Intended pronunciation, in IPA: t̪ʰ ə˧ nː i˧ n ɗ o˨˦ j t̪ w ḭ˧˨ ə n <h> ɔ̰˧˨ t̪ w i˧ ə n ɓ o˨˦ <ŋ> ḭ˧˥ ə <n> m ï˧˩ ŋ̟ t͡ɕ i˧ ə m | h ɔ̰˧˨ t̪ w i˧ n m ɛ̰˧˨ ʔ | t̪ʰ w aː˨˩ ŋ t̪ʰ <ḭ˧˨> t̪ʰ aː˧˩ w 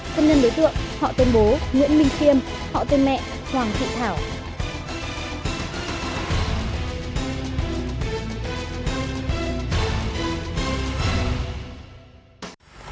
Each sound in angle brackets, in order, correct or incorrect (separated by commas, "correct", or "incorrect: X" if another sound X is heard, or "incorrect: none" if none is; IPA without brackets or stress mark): correct, correct, correct, correct